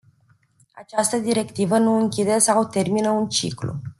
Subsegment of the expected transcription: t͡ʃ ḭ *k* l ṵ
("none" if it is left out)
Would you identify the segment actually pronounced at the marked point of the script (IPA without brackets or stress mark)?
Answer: k